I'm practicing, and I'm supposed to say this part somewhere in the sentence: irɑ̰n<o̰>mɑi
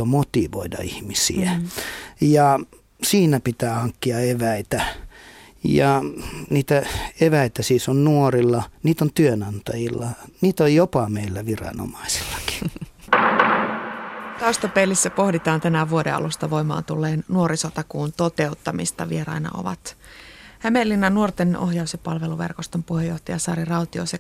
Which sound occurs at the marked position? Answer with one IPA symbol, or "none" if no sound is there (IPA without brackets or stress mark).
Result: o̰